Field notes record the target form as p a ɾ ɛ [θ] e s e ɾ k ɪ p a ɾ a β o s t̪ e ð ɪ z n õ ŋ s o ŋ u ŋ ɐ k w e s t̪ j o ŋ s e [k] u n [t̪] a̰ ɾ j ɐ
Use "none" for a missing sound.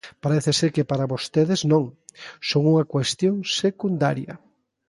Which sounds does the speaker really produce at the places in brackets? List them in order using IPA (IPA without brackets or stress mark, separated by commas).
θ, k, d̪